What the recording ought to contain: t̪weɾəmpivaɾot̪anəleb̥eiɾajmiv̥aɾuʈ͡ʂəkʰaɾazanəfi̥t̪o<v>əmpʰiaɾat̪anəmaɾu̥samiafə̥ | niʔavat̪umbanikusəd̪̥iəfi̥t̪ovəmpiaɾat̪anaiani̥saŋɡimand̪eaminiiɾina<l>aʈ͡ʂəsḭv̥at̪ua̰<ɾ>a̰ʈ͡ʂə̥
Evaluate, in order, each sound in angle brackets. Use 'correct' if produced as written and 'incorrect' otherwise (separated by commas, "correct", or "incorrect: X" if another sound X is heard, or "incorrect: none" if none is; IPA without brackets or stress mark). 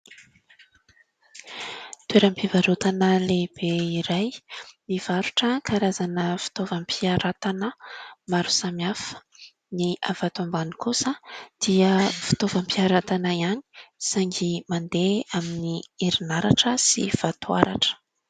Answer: correct, incorrect: ɾ, correct